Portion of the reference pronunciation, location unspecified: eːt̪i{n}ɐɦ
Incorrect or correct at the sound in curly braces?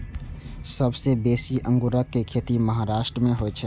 incorrect: m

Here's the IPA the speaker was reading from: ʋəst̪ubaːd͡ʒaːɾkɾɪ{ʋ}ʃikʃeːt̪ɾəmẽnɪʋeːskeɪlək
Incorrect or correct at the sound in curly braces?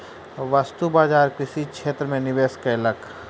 incorrect: none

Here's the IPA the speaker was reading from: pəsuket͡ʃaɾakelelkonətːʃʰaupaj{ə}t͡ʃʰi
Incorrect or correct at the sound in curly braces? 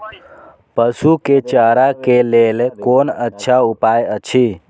correct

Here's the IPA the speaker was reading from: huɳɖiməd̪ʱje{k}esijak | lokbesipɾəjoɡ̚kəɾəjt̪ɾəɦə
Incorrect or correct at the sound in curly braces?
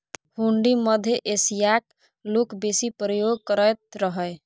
incorrect: ʔ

